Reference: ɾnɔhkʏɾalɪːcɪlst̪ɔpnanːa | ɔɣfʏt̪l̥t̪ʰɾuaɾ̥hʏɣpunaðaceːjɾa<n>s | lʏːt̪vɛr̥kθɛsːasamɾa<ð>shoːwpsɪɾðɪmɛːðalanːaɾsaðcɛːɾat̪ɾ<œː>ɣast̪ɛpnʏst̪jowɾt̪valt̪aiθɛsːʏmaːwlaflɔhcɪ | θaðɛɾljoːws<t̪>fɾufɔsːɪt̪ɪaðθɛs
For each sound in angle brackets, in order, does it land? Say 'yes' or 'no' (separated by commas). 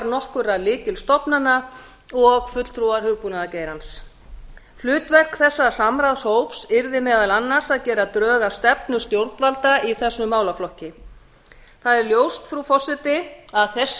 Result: yes, yes, yes, yes